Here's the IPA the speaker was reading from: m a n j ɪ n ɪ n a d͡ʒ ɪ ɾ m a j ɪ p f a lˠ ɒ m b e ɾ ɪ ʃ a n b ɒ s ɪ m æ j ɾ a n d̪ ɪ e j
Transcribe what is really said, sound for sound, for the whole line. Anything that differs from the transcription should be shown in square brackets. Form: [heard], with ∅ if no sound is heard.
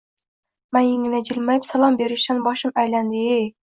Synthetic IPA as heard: m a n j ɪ [ŋ] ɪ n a d͡ʒ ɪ [l] m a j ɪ p [s] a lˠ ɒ m b e ɾ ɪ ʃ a n b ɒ [ʃ] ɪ m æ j [l] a n d̪ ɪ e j